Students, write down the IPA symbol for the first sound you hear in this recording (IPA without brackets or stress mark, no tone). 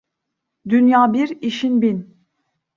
d̪